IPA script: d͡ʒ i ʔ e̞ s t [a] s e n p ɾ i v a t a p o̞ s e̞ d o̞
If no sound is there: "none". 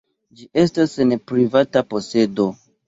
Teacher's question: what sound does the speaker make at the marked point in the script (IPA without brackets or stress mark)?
a